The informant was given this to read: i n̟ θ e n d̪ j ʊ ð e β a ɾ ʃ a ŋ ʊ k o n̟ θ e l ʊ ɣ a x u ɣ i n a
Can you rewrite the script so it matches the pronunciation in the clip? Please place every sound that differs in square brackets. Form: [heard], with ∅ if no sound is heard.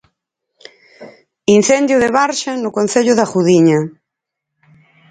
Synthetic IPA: i n̟ θ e n d̪ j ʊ ð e β a ɾ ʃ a [n] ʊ k o n̟ θ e [ʎ] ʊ [ð] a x u [ð] i [ɲ] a